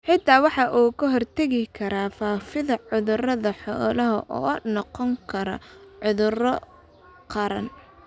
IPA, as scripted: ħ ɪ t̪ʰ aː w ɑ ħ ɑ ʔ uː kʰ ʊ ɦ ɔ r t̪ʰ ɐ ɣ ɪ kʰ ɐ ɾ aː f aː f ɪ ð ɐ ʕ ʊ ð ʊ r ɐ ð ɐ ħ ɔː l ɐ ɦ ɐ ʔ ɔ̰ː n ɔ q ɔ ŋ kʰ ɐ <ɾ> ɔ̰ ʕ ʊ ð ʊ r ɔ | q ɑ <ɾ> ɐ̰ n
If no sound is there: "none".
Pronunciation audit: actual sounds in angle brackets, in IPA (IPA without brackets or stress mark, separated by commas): ɾ, ɾ